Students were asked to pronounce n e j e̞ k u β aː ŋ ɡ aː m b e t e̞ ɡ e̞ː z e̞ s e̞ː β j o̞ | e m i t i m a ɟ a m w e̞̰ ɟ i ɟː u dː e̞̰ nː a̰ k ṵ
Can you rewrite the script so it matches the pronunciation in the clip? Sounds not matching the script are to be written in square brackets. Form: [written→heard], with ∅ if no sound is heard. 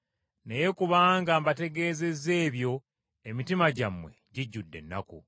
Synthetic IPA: n e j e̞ k u β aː ŋ ɡ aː m b [e→a] t e̞ ɡ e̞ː z e̞ [s→z] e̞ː β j o̞ | e m i t i m a ɟ a m w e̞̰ ɟ i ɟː u dː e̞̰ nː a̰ k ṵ